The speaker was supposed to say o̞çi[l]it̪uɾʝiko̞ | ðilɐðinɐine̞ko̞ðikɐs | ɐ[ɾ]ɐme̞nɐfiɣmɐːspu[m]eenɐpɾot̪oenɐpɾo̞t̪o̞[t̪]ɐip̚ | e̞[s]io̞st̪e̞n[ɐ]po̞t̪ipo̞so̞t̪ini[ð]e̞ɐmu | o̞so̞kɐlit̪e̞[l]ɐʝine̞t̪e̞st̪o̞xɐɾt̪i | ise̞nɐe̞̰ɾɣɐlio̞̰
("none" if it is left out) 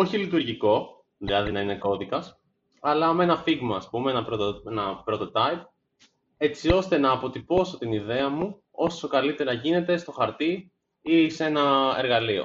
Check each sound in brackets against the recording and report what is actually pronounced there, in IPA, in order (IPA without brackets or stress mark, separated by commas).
l, l, m, t̪, t͡s, ɐː, ð, ɾ